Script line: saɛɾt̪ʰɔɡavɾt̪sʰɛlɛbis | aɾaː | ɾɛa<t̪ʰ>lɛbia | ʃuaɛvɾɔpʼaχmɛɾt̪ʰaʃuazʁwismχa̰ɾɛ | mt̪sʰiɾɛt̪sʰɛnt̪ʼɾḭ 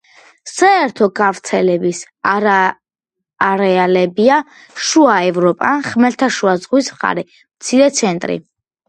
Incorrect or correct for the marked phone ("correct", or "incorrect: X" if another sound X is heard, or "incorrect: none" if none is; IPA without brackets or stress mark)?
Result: incorrect: none